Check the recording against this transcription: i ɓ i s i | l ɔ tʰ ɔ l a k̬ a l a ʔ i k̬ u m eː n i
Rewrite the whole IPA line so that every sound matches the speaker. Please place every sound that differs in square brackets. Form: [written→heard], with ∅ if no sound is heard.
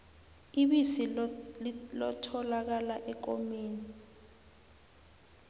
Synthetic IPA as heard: i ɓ i s i | l ɔ tʰ ɔ l a k̬ a l a ʔ [i→ɛ] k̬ [u→o] m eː n i